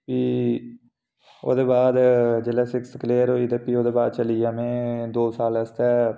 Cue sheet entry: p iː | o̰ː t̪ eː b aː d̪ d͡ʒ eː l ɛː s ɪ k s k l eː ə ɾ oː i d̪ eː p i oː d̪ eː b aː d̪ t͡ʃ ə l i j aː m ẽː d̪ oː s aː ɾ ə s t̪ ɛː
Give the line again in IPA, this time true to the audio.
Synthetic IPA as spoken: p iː | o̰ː d̪ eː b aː d̪ d͡ʒ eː l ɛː s ɪ k s k l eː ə ɾ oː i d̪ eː p i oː d̪ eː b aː d̪ t͡ʃ ə l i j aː m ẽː d̪ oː s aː l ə s t̪ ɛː